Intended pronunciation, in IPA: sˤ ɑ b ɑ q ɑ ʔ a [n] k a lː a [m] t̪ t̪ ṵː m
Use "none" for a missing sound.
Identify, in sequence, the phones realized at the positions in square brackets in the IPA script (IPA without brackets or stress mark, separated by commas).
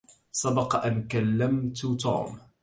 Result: n, m